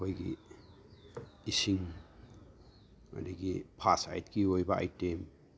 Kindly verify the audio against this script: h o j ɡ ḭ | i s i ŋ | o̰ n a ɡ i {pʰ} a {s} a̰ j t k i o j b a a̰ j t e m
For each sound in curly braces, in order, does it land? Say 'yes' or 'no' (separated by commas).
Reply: yes, yes